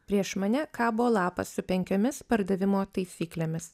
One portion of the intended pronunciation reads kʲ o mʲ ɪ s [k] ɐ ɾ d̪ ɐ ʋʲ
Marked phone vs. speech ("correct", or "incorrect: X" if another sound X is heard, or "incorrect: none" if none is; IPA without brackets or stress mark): incorrect: p